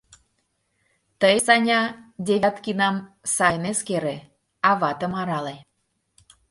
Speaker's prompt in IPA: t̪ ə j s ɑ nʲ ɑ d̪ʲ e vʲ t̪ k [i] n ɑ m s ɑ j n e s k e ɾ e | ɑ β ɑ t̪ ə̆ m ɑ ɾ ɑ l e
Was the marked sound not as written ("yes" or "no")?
no